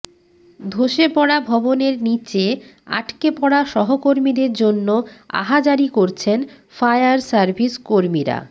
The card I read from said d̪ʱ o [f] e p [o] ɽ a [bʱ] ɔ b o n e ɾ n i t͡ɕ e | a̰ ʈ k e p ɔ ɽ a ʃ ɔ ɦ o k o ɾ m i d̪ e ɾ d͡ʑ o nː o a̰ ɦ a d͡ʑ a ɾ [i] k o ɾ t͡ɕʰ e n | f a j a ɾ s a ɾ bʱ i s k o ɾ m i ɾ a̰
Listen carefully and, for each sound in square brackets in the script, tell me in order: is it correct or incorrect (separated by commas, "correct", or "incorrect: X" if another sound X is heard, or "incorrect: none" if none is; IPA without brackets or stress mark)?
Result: incorrect: ʃ, incorrect: ɔ, correct, correct